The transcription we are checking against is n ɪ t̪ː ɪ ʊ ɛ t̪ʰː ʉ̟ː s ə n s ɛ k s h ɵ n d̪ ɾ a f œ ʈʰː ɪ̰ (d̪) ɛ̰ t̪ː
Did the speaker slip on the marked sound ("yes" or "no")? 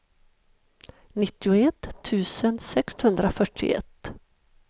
yes